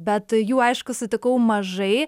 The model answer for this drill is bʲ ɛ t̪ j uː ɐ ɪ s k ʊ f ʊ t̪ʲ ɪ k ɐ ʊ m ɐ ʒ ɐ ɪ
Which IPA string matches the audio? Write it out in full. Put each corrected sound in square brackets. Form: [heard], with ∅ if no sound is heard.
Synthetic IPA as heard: bʲ ɛ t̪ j uː ɐ ɪ [ʃ] k ʊ [s] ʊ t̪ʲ ɪ k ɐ ʊ m ɐ ʒ ɐ ɪ